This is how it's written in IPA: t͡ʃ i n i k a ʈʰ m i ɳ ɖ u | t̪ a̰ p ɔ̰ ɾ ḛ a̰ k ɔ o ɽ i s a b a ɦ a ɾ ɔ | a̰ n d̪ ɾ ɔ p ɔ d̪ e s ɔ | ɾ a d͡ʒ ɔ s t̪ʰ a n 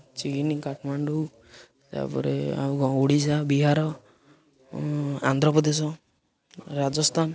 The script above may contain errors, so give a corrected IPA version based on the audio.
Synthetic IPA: t͡ʃ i n i k a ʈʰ m a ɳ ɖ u | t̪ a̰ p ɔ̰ ɾ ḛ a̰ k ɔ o ɽ i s a b i ɦ a ɾ ɔ | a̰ n d̪ ɾ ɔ p ɔ d̪ e s ɔ | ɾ a d͡ʒ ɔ s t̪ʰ a n